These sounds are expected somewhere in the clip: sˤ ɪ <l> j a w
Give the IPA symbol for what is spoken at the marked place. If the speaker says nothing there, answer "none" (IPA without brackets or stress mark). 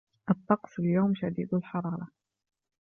l